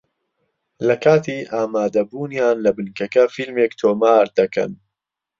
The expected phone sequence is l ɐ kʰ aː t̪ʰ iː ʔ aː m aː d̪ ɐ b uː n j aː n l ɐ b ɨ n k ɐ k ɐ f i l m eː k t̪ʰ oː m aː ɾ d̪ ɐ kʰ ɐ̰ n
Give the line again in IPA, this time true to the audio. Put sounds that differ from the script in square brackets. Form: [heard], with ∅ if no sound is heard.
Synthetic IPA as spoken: l ɐ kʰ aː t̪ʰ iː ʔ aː m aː d̪ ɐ b uː n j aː n l ɐ b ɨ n k ɐ k ɐ f i l m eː k t̪ʰ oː m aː ɾ d̪ ɐ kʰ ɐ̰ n